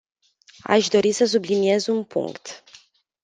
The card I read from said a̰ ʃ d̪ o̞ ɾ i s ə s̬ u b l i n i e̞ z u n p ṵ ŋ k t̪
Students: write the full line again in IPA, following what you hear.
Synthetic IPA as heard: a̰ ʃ d̪ o̞ ɾ i s ə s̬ u b l i n i e̞ z u n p ṵ ŋ k t̪